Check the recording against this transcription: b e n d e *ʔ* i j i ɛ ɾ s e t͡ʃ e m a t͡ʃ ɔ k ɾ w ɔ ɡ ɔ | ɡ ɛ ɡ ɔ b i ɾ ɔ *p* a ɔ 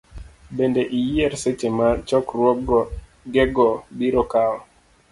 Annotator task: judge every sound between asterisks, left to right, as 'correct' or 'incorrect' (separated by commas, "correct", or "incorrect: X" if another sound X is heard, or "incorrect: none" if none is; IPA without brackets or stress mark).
correct, incorrect: k